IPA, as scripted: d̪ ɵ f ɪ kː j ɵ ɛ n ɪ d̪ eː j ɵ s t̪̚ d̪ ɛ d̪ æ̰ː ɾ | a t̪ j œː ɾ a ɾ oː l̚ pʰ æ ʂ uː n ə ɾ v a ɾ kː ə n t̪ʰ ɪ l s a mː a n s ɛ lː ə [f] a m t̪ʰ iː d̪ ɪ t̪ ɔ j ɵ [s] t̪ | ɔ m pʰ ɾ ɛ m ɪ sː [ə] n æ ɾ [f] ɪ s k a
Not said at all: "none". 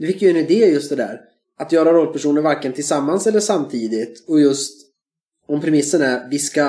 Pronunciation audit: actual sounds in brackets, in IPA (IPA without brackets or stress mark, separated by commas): ʂ, s, ə, v